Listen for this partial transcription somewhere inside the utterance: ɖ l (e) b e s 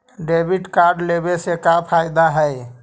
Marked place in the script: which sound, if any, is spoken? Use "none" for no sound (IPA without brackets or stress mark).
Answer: e